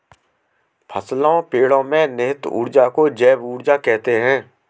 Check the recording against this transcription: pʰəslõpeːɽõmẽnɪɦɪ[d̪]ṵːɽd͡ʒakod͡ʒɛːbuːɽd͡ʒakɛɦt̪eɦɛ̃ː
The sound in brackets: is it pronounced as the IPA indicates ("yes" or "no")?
no